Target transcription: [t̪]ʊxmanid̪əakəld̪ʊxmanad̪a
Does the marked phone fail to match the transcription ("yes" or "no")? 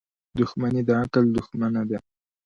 yes